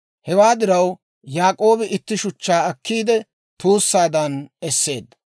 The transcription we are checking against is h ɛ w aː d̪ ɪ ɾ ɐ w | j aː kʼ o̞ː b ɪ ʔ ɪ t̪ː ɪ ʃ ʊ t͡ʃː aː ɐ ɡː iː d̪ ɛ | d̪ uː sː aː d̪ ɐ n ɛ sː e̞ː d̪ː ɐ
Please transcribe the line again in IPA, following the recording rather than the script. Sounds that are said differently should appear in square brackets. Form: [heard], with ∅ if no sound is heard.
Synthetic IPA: h ɛ w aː d̪ ɪ ɾ ɐ w | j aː kʼ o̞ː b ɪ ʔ ɪ t̪ː ɪ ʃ ʊ t͡ʃː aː ɐ [kː] iː d̪ ɛ | [t̪] uː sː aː d̪ ɐ n ɛ sː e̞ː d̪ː ɐ